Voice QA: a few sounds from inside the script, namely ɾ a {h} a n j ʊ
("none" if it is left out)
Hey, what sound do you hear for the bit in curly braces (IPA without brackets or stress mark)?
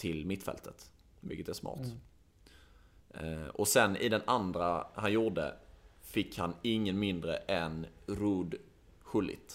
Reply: h